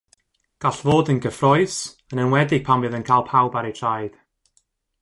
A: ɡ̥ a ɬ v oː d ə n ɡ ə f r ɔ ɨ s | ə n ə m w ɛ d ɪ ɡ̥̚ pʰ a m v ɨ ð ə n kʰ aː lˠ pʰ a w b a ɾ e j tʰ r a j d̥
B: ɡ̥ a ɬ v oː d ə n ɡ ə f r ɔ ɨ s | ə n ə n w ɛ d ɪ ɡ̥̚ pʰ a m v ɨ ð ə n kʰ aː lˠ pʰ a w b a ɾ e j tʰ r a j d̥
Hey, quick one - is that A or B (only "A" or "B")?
B